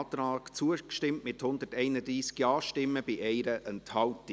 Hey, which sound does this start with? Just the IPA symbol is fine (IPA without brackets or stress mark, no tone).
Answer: t